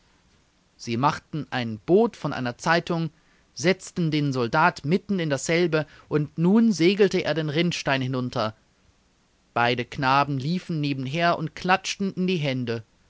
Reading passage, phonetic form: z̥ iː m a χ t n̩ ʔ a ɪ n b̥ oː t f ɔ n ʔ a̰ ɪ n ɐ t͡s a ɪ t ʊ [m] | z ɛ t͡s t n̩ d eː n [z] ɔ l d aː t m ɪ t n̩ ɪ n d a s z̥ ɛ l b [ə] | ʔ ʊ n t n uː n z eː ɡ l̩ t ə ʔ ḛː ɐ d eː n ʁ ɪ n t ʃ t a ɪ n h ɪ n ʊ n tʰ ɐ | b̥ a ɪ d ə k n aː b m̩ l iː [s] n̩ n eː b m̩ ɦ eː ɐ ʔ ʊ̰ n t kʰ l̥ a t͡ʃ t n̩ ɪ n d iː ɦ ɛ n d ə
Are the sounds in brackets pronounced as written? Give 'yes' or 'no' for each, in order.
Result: no, yes, yes, no

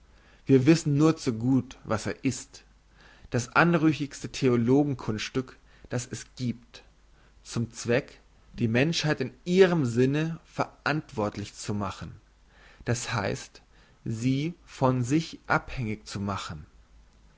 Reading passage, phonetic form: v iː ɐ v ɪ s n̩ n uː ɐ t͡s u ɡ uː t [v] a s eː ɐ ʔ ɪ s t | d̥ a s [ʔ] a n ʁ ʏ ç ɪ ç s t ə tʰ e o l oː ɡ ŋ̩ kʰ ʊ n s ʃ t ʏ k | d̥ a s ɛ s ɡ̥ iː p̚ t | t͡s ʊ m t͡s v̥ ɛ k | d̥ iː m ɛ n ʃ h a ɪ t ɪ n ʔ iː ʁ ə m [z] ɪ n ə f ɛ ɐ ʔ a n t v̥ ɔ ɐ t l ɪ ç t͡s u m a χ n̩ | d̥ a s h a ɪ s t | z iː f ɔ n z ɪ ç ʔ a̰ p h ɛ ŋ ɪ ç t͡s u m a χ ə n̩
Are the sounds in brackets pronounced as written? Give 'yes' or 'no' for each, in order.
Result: yes, yes, yes

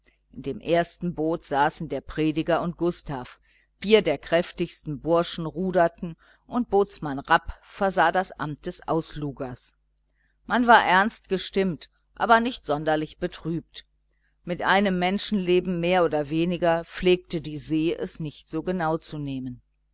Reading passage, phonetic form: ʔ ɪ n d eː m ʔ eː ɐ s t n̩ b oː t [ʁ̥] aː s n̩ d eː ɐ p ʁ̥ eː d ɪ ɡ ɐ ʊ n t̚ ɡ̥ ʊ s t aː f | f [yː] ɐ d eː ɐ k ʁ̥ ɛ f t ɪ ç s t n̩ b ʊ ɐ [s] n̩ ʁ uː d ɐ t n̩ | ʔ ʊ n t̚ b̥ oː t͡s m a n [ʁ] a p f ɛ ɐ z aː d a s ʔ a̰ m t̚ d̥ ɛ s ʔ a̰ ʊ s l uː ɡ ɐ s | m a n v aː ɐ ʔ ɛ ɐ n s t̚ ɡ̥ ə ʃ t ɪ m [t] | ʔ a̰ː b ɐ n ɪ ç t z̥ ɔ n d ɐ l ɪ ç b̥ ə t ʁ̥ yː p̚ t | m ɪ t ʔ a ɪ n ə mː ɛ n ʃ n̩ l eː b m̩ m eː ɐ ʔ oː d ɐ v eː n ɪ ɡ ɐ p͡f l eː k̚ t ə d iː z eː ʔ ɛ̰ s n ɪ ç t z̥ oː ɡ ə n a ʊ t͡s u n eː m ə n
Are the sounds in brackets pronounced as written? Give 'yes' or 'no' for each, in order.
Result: no, no, no, yes, yes

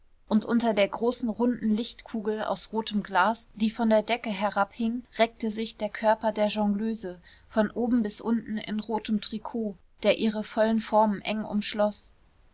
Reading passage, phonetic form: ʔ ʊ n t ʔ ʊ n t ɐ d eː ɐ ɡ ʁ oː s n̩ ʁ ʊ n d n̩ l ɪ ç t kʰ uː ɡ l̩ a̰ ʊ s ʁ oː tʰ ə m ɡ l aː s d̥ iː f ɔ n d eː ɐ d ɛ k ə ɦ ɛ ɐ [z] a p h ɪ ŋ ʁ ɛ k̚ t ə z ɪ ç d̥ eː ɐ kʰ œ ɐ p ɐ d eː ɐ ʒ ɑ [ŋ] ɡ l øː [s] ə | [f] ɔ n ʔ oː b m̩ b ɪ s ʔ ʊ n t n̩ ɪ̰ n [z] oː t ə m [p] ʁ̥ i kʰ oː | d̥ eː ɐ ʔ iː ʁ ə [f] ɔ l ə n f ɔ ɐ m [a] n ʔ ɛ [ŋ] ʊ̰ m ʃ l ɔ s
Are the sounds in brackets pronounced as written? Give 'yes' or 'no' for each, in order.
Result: no, yes, no, yes, no, no, yes, no, yes

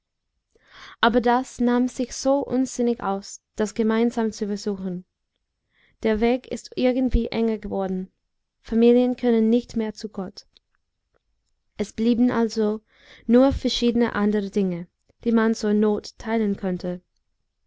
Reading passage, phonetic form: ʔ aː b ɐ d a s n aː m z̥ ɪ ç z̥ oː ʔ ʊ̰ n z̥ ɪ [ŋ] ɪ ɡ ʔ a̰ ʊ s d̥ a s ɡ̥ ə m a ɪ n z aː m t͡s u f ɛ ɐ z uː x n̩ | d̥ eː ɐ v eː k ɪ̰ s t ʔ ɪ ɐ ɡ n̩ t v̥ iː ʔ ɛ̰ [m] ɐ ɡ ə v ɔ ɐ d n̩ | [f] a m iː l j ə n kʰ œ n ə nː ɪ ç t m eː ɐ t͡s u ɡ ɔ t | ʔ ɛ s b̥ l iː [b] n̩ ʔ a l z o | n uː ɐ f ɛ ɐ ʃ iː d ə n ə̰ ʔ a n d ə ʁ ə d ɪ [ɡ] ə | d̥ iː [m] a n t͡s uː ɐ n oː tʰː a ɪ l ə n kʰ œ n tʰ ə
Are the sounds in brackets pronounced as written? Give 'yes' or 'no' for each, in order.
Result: no, no, yes, yes, no, yes

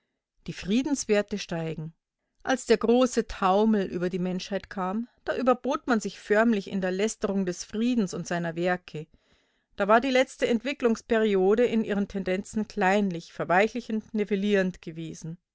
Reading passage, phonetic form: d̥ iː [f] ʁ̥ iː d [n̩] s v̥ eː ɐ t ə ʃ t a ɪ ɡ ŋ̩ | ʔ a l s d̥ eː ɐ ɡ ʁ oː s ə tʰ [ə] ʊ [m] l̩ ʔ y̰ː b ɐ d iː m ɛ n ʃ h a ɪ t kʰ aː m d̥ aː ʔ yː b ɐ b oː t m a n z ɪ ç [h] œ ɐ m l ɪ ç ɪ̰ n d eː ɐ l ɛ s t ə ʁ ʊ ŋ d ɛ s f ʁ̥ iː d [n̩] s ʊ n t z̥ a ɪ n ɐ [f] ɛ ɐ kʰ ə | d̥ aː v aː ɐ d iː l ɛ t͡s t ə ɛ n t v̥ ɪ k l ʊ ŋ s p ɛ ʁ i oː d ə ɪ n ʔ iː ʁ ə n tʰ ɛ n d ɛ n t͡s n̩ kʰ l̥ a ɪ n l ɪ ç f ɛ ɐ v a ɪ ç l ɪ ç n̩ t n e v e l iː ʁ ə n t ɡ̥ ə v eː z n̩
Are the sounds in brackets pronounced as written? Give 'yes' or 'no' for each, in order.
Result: yes, yes, no, yes, no, yes, no

